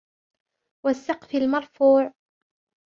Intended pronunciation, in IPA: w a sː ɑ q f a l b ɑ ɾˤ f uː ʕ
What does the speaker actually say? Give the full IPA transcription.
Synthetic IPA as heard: w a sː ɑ q f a l m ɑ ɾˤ f uː ʕ